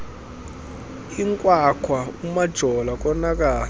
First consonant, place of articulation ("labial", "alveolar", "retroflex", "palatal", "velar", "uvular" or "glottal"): velar